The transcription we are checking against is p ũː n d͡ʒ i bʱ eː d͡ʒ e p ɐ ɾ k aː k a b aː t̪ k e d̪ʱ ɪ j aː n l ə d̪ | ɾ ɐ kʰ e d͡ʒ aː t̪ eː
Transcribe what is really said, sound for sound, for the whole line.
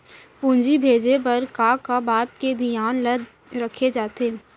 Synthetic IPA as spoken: p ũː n d͡ʒ i bʱ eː d͡ʒ e p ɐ ɾ k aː k a b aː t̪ k e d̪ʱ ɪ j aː n l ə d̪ | ɾ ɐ kʰ e d͡ʒ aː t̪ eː